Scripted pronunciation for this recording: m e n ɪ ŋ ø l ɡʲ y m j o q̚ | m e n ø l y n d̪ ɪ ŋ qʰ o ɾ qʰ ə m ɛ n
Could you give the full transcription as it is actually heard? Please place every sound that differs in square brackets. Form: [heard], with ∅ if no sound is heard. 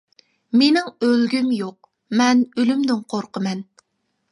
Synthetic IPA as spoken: m e n ɪ ŋ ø l ɡʲ y m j o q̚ | m [ɛ] n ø l y [m] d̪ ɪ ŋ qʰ o ɾ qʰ ə m ɛ n